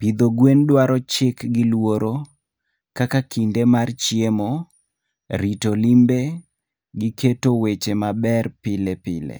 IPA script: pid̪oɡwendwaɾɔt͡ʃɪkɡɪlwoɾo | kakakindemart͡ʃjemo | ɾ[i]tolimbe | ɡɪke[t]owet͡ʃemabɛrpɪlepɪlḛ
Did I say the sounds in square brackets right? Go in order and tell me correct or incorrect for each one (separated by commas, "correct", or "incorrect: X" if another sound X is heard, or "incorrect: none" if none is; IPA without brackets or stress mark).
correct, correct